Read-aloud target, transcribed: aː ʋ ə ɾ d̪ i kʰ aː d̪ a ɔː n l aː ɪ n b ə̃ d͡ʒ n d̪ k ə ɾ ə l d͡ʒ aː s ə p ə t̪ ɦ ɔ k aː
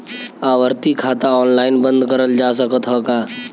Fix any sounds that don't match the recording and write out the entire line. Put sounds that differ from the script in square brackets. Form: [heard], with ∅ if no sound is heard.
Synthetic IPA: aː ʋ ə ɾ [t̪] i kʰ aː [t̪] a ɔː n l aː ɪ n b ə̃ [∅] n d̪ k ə ɾ ə l d͡ʒ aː s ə [k] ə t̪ ɦ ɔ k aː